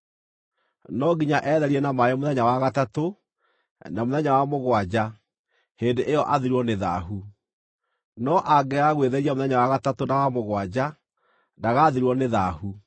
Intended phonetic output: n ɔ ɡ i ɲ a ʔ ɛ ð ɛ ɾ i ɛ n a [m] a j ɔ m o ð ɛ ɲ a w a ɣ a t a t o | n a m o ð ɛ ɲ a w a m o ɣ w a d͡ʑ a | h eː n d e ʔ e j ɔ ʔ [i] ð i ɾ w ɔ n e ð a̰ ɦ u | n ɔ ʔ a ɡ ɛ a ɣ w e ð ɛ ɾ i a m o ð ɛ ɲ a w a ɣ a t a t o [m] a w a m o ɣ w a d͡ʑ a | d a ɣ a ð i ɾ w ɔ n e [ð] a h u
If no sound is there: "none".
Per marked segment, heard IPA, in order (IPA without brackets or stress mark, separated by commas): m, a, n, ð